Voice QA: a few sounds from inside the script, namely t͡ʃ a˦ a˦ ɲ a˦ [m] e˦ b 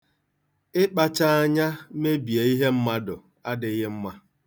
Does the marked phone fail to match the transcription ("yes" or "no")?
no